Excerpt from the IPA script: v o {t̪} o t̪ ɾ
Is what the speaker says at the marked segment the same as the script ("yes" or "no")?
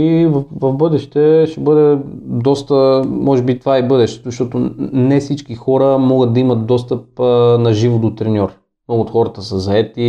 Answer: no